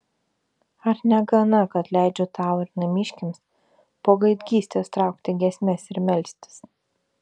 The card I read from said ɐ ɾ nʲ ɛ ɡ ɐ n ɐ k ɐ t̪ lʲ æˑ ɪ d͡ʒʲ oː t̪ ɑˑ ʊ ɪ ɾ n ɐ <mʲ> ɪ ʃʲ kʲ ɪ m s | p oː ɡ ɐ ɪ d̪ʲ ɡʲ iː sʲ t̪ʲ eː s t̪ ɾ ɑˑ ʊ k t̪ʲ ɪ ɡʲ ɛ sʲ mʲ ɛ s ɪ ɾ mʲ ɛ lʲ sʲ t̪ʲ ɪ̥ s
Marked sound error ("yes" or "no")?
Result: no